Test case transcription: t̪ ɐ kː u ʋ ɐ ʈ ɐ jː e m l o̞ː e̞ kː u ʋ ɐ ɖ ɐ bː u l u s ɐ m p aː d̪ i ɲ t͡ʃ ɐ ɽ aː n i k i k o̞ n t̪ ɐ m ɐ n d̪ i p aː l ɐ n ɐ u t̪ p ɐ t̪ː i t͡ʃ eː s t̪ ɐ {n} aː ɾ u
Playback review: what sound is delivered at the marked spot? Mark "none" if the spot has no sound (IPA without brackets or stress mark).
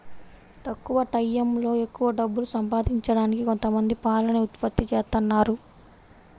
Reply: nː